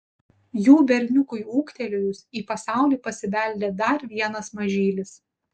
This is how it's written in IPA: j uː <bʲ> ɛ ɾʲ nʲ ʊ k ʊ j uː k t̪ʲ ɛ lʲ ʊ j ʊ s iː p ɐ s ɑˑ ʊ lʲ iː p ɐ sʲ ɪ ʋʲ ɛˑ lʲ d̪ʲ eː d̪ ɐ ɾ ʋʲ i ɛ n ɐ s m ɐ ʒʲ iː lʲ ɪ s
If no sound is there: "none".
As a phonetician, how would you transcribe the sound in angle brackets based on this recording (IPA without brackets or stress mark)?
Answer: bʲ